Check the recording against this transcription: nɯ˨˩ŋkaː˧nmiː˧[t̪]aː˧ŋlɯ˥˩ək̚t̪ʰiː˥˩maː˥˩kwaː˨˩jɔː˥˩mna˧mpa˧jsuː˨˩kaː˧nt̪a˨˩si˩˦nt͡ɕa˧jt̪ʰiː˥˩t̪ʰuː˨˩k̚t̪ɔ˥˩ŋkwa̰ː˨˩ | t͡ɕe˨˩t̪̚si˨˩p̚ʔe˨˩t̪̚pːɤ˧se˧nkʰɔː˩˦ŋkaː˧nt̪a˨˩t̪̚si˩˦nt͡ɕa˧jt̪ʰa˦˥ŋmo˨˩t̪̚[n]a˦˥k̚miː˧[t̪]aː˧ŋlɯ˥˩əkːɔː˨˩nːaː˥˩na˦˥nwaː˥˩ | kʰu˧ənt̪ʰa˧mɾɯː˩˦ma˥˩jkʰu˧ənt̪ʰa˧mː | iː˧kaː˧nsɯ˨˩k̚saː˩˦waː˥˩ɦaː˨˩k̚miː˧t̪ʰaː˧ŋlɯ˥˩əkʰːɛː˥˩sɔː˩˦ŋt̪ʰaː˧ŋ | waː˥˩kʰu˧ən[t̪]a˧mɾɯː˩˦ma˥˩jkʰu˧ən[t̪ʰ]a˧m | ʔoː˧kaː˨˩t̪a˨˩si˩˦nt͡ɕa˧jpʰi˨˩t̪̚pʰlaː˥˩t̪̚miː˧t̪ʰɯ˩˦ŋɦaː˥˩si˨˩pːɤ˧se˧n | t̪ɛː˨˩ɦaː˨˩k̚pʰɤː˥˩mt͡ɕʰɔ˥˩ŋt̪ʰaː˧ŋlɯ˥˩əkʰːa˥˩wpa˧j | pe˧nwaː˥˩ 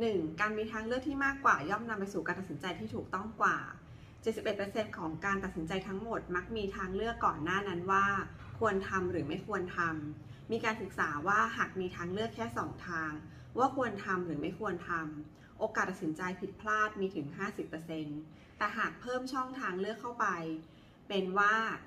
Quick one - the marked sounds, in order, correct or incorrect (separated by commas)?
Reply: incorrect, incorrect, incorrect, incorrect, correct